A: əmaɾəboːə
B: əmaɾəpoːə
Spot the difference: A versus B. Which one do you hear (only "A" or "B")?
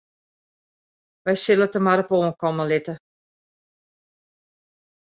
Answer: B